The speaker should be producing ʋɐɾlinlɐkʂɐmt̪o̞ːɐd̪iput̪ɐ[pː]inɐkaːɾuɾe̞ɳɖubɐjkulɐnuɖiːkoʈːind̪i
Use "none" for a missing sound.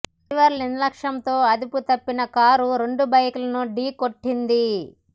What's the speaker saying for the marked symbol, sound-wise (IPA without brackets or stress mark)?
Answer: pː